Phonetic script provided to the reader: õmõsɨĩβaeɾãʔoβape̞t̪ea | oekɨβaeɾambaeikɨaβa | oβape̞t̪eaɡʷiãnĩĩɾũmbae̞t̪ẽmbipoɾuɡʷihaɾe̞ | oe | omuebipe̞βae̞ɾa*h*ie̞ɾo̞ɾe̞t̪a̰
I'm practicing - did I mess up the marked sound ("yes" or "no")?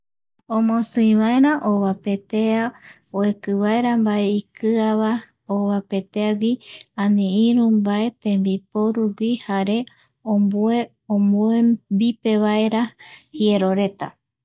no